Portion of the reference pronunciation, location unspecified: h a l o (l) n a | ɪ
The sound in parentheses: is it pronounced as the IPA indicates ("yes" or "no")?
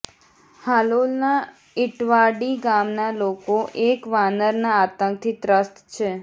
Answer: yes